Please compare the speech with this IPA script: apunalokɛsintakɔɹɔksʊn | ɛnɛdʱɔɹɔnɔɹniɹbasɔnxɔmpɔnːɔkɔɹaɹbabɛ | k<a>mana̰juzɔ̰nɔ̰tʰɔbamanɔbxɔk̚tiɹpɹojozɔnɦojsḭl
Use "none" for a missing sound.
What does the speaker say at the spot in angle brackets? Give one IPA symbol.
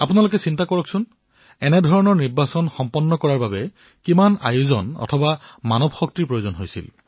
i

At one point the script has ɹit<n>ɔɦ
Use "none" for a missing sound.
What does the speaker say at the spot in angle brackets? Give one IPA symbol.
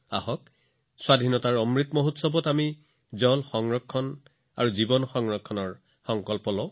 m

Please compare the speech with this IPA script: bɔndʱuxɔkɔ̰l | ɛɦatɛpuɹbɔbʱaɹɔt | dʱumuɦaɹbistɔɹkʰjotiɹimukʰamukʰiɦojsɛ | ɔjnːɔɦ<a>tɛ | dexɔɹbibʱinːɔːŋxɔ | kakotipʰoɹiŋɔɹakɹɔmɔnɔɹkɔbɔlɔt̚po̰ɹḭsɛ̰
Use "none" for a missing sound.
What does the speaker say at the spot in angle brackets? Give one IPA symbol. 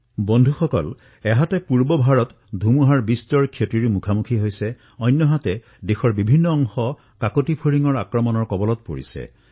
a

